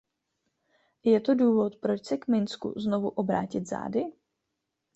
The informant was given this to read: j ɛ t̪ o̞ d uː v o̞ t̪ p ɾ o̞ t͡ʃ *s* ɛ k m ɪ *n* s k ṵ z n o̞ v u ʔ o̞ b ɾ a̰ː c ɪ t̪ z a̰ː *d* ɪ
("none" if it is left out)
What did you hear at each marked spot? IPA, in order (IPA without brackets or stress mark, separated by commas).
s, n, d